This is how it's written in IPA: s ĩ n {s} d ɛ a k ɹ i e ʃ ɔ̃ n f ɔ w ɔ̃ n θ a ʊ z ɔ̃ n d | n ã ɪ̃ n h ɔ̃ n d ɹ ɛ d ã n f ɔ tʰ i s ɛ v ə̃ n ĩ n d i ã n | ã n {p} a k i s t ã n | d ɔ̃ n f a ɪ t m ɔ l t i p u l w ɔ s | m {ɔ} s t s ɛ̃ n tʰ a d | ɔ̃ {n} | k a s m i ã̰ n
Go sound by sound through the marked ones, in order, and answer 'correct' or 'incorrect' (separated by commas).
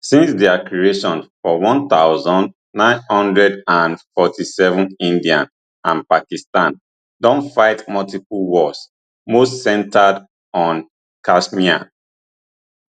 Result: correct, correct, incorrect, correct